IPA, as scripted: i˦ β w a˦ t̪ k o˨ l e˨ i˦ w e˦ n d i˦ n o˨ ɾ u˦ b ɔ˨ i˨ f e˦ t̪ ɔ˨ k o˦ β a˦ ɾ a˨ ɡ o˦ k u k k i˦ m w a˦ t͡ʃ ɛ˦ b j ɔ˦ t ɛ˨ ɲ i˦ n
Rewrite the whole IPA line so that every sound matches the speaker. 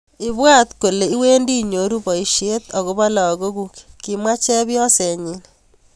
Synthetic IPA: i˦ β w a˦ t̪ k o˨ l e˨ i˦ w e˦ n d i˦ ɲ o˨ ɾ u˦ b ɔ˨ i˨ ʃ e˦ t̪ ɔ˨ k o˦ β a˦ l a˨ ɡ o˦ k u k k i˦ m w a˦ t͡ʃ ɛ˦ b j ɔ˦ s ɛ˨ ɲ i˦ n